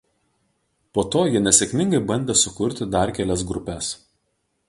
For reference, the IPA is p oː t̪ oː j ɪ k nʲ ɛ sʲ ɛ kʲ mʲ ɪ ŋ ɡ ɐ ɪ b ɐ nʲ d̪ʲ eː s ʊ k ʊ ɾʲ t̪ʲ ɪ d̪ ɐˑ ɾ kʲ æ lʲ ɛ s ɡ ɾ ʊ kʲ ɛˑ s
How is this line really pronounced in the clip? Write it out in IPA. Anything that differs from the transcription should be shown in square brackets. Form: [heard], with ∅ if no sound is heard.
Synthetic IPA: p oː t̪ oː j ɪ [∅] nʲ ɛ sʲ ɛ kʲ mʲ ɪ ŋ ɡ ɐ ɪ b ɐ nʲ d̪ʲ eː s ʊ k ʊ ɾʲ t̪ʲ ɪ d̪ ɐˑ ɾ kʲ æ lʲ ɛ s ɡ ɾ ʊ [pʲ] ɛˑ s